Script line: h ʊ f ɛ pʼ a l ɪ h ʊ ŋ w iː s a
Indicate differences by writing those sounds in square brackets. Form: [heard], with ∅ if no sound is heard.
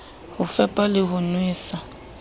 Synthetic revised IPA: h ʊ f ɛ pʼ a l ɪ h ʊ [n] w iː s a